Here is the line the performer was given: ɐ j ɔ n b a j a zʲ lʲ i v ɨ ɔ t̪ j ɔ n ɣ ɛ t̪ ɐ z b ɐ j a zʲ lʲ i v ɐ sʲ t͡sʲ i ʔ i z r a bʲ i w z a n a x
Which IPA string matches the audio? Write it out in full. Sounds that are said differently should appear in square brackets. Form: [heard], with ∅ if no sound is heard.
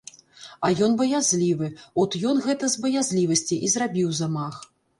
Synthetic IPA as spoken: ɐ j ɔ n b [ɐ] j a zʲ lʲ i v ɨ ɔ t̪ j ɔ n ɣ ɛ t̪ ɐ z b ɐ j a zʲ lʲ i v ɐ sʲ t͡sʲ i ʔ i z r a bʲ i w z a [m] a x